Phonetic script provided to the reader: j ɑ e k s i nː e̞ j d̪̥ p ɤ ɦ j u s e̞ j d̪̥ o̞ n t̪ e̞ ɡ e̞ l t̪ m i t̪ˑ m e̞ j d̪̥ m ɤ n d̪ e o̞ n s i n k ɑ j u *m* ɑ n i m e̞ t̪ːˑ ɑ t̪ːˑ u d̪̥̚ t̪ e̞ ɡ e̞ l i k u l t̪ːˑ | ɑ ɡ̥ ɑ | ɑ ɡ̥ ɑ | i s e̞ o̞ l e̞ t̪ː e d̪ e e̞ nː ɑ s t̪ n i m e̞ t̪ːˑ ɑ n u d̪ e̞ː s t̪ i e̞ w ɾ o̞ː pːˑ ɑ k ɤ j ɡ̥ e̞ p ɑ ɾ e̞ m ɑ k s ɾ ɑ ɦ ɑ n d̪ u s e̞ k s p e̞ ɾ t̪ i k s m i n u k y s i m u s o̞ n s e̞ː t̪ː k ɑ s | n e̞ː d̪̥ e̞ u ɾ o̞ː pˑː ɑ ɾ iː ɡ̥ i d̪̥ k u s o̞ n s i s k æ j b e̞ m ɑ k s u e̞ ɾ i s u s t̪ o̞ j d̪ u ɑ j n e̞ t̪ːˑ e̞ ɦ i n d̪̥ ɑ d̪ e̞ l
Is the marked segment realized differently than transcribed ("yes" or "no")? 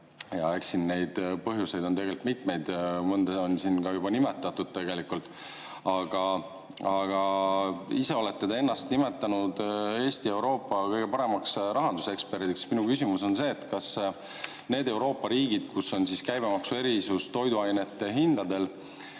yes